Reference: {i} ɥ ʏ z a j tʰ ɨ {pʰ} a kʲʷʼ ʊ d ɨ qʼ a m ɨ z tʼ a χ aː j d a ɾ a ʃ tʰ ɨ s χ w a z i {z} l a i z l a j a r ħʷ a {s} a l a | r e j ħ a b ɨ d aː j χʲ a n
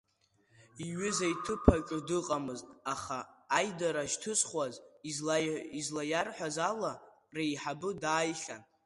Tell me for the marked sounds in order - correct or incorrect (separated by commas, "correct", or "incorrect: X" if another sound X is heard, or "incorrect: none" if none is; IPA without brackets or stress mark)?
correct, correct, correct, incorrect: z